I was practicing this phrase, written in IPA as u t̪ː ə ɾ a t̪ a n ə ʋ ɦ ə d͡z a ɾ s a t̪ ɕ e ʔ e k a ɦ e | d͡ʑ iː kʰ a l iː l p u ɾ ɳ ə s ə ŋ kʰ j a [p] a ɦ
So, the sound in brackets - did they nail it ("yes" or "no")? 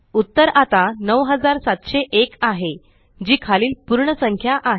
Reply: no